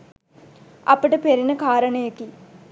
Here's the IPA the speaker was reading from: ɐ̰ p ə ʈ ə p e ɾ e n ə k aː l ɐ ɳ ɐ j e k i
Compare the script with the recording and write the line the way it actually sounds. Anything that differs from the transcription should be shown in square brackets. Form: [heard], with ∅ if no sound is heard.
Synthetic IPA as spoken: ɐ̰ p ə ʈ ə p e ɾ [i] n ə k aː [ɾ] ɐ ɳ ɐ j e k i